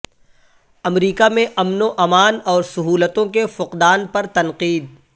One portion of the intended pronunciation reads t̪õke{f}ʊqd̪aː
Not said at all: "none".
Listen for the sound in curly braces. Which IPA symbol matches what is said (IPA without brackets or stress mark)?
f